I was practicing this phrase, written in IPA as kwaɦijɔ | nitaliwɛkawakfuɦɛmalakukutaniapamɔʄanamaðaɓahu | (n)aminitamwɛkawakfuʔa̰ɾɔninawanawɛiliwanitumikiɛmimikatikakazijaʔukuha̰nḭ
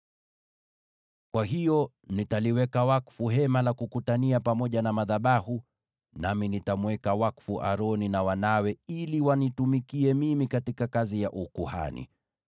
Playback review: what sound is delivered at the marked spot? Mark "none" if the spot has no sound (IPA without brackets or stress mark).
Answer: n